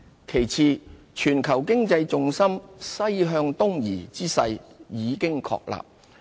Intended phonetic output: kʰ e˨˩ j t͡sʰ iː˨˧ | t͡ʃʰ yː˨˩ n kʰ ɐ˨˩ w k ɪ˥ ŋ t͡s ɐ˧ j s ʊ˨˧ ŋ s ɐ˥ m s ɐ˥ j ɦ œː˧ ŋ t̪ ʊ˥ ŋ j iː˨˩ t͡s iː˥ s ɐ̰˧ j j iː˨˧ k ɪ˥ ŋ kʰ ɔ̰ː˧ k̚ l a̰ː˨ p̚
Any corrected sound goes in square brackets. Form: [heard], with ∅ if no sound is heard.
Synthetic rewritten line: kʰ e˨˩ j t͡sʰ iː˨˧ | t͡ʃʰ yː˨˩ n kʰ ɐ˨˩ w k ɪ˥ ŋ t͡s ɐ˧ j [t͡s] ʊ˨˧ ŋ s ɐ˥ m s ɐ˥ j ɦ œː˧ ŋ t̪ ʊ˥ ŋ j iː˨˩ t͡s iː˥ s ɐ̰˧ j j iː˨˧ k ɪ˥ ŋ kʰ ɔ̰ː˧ k̚ l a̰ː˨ p̚